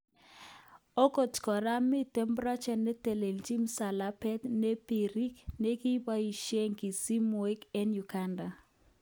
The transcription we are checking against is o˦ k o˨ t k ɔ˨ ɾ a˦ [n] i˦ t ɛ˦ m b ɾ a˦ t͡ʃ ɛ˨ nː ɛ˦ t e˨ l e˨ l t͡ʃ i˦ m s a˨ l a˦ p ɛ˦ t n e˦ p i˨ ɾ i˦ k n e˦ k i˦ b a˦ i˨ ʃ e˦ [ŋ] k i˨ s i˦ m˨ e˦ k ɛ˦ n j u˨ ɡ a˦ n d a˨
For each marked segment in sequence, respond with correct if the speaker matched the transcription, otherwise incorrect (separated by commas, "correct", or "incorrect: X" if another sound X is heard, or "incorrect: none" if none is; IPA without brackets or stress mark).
incorrect: m, correct